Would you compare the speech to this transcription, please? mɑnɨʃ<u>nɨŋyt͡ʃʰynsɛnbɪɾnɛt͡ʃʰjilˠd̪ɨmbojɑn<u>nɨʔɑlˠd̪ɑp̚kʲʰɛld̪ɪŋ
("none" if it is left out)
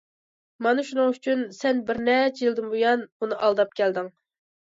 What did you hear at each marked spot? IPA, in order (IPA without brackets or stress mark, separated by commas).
u, u